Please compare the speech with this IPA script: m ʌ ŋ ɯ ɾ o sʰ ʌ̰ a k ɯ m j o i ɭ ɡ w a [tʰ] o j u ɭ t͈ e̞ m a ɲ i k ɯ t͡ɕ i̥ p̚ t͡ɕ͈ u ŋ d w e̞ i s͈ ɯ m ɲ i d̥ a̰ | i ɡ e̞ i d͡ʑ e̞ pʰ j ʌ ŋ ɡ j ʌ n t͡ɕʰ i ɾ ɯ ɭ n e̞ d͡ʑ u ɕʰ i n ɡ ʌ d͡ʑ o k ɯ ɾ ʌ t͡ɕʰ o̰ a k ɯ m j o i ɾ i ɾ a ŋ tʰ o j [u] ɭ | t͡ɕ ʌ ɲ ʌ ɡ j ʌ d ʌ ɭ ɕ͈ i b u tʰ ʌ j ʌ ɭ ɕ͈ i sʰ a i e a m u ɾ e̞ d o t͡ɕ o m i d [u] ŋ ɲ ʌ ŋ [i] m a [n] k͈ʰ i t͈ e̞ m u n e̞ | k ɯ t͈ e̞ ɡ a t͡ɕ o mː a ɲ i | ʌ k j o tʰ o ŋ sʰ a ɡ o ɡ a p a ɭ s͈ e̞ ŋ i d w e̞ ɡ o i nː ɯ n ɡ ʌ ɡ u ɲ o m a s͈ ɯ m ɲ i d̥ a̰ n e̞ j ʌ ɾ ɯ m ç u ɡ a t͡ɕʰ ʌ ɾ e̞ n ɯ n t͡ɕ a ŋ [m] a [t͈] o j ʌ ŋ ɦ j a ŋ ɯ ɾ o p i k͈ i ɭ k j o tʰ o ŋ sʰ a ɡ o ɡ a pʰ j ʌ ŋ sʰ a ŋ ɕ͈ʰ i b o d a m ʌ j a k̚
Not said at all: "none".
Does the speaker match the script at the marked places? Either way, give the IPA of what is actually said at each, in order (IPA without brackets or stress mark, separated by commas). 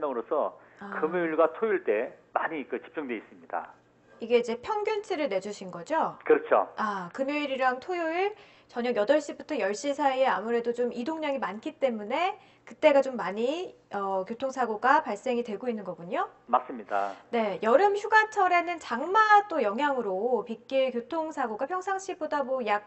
tʰ, u, o, i, n, m, t͈